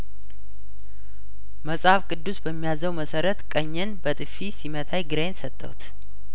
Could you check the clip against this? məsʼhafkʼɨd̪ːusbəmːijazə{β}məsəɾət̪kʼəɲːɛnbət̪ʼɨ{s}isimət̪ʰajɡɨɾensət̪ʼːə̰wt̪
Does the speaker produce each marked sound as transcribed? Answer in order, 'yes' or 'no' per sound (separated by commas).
no, no